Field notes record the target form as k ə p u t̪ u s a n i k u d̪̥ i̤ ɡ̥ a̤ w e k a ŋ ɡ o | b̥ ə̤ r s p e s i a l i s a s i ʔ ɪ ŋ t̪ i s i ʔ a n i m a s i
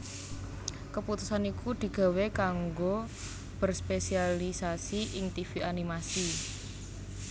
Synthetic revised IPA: k ə p u t̪ u s a n i k u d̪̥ i̤ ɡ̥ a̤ w e k a ŋ ɡ o | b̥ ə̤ r s p e s i a l i s a s i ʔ ɪ ŋ t̪ i f i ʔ a n i m a s i